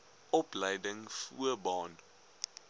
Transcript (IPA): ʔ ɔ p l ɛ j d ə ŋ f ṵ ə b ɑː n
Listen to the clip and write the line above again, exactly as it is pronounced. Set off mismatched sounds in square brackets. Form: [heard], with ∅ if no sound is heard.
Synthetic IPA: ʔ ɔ p l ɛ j d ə ŋ f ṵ ə b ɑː n